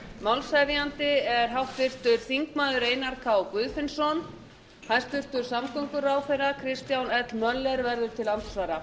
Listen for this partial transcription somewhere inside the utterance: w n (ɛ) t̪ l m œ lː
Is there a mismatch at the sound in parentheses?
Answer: no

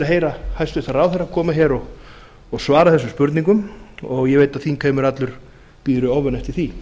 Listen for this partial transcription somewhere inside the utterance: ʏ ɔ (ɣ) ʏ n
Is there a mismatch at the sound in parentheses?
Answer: yes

